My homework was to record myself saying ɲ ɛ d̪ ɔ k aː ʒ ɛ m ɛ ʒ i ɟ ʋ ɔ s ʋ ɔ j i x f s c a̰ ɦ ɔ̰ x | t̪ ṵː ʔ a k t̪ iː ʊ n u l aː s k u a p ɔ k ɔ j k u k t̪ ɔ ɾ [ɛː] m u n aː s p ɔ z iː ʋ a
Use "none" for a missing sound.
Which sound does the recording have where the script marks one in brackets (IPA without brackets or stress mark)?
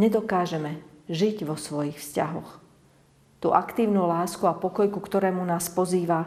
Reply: ɛː